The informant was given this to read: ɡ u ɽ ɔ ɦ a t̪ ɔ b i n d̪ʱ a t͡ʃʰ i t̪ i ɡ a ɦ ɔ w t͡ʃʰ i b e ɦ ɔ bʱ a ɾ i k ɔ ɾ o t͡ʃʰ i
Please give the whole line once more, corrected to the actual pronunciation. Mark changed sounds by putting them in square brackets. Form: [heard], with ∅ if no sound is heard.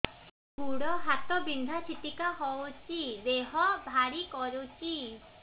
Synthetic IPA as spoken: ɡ u ɽ ɔ ɦ a t̪ ɔ b i n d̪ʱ a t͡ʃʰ i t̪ i [k] a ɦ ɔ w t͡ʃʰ i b e ɦ ɔ bʱ a ɾ i k ɔ ɾ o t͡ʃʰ i